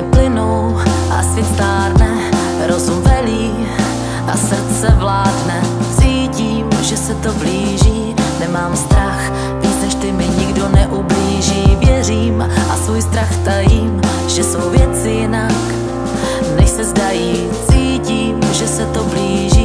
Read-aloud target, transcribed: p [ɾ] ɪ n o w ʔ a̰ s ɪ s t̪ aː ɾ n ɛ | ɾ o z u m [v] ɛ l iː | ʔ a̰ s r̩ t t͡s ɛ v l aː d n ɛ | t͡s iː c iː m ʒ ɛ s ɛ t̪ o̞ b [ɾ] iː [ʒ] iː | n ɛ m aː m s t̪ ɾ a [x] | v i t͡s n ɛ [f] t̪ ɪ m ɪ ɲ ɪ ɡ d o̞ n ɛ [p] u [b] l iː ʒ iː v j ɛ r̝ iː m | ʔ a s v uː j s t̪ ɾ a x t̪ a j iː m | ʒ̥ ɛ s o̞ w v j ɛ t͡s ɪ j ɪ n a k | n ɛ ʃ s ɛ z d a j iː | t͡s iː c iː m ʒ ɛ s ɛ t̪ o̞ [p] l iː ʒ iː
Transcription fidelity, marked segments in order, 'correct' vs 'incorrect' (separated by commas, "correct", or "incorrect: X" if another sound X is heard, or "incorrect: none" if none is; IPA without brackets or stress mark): incorrect: l, correct, incorrect: l, correct, correct, incorrect: ʃ, incorrect: ʔ, correct, incorrect: b